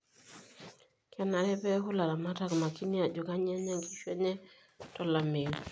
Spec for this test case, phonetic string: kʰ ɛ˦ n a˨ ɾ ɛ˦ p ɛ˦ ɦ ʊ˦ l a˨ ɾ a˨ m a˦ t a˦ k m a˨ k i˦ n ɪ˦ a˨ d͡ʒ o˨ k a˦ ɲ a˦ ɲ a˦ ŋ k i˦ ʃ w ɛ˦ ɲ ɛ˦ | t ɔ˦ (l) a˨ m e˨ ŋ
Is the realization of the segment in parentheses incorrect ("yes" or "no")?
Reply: no